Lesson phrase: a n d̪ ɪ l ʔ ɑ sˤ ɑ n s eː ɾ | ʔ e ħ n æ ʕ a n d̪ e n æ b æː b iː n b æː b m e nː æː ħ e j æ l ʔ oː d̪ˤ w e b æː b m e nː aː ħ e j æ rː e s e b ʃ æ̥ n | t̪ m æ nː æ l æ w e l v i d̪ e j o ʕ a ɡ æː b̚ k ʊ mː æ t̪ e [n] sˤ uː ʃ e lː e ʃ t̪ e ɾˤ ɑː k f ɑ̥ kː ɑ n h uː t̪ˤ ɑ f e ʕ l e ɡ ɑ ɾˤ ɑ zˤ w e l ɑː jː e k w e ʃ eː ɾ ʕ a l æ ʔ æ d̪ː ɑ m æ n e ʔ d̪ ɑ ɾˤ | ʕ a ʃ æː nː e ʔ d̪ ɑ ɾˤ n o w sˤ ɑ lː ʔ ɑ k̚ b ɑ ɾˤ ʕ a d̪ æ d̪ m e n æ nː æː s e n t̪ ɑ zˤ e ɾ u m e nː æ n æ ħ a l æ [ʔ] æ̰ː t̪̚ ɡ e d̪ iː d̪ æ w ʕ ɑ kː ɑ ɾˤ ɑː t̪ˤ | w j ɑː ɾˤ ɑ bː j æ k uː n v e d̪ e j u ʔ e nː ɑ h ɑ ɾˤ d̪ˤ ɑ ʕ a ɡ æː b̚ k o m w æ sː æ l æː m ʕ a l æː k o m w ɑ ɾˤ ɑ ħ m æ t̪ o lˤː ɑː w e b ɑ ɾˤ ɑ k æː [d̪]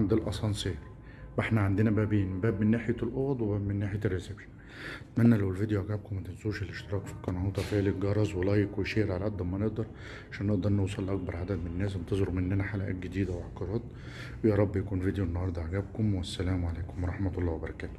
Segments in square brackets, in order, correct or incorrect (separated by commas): correct, correct, incorrect